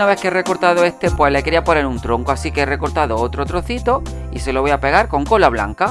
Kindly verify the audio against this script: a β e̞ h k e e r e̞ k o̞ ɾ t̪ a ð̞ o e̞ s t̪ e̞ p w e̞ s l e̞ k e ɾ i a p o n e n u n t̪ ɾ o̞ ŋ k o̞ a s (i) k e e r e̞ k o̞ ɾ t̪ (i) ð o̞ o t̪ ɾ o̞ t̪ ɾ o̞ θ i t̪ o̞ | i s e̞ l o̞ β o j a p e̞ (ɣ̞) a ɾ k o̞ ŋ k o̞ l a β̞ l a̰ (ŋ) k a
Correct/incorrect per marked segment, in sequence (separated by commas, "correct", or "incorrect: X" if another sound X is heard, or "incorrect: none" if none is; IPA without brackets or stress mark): correct, incorrect: a, correct, correct